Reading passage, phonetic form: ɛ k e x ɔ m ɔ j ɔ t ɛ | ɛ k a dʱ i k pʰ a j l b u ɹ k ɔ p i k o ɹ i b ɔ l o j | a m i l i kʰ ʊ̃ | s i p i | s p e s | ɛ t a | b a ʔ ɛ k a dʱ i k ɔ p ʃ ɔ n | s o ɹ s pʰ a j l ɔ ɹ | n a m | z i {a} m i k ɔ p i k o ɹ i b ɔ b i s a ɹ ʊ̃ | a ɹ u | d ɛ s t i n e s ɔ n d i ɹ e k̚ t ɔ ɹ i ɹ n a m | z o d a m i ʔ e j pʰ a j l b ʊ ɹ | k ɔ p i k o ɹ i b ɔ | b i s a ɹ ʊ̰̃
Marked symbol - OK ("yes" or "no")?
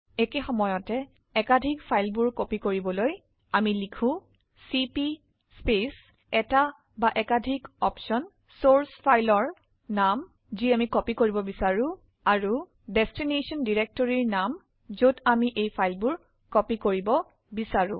yes